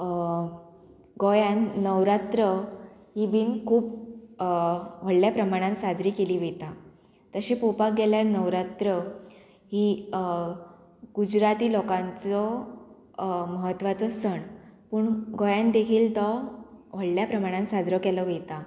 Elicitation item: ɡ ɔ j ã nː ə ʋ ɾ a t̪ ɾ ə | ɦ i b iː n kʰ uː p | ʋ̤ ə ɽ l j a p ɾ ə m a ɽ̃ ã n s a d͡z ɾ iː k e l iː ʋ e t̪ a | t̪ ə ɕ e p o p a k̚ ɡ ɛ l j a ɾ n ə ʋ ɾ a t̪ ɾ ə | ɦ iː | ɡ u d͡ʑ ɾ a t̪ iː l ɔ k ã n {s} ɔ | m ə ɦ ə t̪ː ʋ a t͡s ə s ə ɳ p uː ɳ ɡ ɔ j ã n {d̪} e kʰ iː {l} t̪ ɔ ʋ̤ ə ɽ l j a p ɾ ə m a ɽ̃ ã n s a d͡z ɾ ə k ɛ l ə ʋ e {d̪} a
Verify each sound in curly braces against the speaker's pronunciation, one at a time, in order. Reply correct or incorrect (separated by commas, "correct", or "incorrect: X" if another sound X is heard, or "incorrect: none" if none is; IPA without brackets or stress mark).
incorrect: t͡s, correct, correct, incorrect: t̪